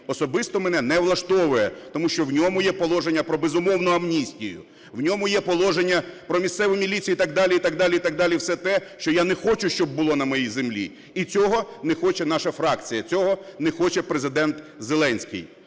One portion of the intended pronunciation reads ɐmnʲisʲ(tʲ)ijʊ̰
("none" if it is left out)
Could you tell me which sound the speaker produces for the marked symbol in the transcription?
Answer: tʲ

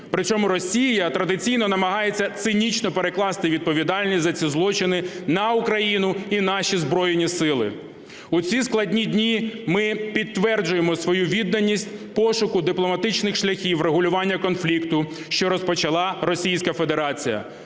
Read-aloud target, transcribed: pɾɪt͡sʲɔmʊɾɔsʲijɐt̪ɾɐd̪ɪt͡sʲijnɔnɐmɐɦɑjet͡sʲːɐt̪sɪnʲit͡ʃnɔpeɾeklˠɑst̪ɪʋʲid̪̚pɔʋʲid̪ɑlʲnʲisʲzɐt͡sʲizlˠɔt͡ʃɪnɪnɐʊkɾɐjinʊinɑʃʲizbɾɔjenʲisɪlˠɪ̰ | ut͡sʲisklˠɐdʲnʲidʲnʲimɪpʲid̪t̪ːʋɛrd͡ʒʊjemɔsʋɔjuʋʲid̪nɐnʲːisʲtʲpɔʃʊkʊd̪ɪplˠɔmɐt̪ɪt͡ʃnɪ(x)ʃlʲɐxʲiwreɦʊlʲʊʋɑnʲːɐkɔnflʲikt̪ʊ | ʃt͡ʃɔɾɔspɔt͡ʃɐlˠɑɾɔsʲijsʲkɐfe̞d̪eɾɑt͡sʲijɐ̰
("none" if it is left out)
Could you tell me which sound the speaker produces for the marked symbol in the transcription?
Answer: x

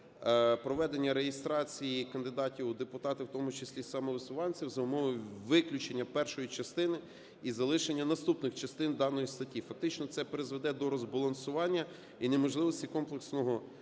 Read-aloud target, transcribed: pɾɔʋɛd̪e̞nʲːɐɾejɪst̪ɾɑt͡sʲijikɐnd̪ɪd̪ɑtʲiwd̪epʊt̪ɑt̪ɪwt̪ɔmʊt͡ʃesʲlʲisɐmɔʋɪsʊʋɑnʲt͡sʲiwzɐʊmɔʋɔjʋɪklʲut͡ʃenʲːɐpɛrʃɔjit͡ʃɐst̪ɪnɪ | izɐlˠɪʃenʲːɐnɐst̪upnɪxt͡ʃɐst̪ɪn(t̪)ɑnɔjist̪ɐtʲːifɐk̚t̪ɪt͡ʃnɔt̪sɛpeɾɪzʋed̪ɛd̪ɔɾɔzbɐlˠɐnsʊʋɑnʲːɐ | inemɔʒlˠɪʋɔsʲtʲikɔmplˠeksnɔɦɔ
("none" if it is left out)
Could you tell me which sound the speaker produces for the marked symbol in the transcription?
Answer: d̪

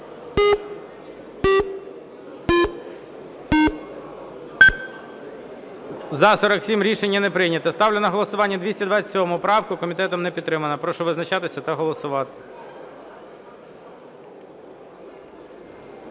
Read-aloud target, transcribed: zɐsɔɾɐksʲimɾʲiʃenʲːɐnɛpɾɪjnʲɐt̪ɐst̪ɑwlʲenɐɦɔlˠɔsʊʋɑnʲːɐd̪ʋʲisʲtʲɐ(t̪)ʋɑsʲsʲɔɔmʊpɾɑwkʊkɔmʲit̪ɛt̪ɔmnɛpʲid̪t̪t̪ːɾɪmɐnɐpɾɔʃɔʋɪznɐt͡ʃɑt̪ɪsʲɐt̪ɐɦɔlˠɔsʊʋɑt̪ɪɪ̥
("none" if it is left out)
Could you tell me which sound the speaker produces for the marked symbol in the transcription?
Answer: d̪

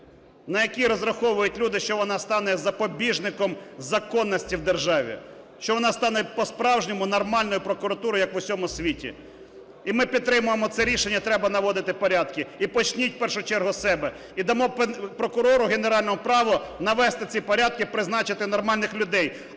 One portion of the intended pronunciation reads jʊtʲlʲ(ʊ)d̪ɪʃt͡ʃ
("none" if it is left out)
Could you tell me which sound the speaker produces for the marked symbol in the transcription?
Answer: u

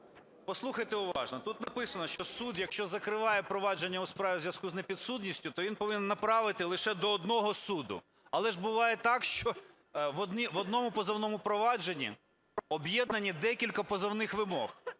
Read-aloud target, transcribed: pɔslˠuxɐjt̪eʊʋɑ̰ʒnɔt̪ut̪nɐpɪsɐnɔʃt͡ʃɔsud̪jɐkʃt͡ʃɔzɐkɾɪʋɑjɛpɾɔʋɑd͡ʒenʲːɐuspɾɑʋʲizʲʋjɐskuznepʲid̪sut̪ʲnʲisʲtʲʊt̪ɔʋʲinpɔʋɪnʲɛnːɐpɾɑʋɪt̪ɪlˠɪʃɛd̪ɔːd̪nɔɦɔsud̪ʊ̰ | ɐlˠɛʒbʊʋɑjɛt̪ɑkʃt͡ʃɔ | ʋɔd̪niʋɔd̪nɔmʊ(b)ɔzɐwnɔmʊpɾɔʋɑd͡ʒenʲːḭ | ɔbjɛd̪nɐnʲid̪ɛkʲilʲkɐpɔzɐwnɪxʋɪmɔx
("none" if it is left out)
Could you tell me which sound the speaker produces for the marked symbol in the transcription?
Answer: p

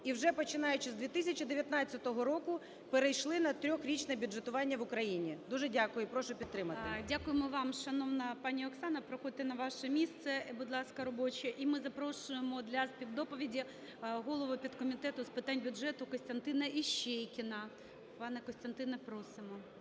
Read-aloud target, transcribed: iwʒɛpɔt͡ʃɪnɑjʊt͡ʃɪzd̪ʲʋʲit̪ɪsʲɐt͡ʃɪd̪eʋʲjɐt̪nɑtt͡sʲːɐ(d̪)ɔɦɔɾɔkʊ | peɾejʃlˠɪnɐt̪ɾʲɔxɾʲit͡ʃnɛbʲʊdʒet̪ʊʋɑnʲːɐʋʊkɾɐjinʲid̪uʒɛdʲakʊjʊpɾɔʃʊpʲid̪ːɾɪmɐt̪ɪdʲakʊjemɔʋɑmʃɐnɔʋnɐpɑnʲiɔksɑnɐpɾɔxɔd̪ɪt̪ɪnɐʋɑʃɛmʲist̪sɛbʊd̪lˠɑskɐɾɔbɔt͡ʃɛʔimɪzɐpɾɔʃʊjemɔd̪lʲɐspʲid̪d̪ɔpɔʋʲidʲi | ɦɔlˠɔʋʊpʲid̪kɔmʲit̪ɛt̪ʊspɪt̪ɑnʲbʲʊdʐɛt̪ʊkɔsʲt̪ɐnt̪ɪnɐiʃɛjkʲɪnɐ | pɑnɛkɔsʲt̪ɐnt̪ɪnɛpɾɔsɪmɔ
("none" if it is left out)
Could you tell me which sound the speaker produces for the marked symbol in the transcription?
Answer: t̪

